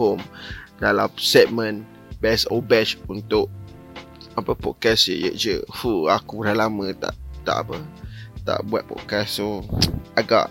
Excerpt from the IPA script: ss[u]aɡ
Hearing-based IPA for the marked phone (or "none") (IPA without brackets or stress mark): o